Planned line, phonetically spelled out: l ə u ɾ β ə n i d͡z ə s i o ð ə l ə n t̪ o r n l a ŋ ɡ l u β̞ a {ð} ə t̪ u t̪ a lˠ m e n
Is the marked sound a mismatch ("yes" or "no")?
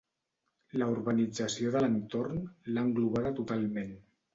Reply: no